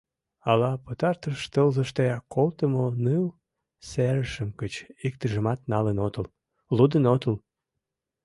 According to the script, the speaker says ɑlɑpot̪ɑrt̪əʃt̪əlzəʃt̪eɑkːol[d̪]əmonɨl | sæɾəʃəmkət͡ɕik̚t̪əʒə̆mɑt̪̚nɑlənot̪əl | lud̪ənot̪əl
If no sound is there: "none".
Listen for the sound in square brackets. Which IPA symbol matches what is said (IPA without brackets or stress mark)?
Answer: t̪